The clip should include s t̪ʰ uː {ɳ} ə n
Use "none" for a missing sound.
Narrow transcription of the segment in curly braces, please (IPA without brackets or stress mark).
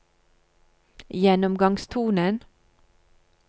n